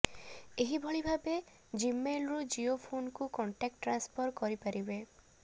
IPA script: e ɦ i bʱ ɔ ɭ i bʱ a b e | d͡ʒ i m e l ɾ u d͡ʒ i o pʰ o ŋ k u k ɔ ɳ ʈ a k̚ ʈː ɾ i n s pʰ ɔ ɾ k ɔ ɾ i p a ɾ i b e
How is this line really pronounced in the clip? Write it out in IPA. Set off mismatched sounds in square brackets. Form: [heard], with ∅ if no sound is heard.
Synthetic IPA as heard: e ɦ i bʱ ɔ ɭ i bʱ a b e | d͡ʒ i m e l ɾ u d͡ʒ i o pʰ o [n] k u k ɔ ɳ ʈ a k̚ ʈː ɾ [a] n s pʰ ɔ ɾ k ɔ ɾ i p a ɾ i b e